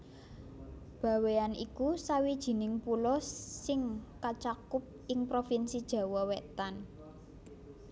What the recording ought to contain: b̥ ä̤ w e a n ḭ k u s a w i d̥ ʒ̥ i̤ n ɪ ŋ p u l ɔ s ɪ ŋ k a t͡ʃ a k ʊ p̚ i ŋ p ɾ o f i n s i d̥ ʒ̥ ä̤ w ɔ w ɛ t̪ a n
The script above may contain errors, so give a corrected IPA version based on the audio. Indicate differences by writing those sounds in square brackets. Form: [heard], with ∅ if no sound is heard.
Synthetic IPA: b̥ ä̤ w e a n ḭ k u s a w i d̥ ʒ̥ i̤ n ɪ ŋ p u l ɔ s ɪ ŋ k a t͡ʃ a k ʊ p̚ [ɪ] ŋ p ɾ o f i n s i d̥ ʒ̥ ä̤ w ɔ w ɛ t̪ a n